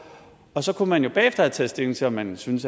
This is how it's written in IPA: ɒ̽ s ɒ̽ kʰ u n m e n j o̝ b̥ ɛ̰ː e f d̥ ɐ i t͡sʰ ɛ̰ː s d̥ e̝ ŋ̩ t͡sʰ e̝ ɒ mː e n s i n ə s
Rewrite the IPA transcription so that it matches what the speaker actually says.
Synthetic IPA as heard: ɒ̽ s ɒ̽ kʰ u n m æ n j o̝ b̥ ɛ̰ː e f d̥ ɐ æ t͡sʰ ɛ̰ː s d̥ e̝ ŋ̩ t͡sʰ e̝ ɒ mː æ n s y n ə s